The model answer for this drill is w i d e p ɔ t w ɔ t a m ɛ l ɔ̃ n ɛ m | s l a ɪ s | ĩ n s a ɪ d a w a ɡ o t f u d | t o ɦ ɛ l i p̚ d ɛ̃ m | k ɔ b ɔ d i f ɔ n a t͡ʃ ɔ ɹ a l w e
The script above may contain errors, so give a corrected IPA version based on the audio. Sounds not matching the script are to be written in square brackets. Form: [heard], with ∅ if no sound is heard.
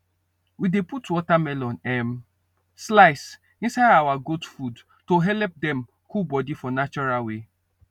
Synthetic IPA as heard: w i d e p [u] t w ɔ t a m ɛ l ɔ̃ n ɛ m | s l a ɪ s | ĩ n s a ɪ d a w a ɡ o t f u d | t o ɦ ɛ l [ɛ] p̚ d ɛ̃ m | k [u] b ɔ d i f ɔ n a t͡ʃ ɔ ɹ a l w e